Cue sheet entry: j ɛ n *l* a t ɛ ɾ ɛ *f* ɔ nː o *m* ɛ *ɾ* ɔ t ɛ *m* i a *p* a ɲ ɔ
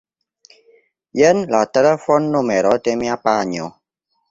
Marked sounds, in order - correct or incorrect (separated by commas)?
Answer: correct, correct, correct, correct, correct, correct